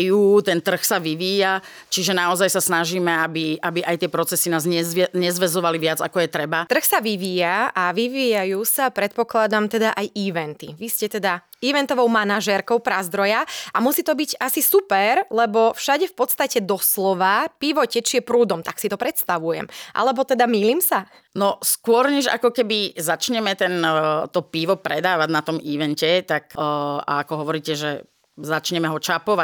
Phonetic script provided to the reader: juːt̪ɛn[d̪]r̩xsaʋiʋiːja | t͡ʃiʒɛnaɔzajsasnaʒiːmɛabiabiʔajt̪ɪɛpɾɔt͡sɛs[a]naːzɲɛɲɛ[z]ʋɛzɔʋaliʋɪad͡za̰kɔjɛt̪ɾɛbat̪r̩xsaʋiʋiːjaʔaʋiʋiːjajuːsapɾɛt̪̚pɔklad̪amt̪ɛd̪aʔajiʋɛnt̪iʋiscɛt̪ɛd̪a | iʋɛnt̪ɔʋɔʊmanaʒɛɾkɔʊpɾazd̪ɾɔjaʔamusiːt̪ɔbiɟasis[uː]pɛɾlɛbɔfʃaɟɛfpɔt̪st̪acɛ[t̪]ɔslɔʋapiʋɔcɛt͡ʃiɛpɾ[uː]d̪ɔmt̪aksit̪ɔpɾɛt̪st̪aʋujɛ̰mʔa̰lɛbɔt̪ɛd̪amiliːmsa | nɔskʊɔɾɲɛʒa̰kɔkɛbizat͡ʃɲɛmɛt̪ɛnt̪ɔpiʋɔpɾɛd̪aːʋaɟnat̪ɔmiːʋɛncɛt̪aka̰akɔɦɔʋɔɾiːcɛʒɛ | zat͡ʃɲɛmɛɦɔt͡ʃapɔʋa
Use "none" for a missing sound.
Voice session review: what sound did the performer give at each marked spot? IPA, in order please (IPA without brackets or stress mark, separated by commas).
t̪, i, z, u, d̪, uː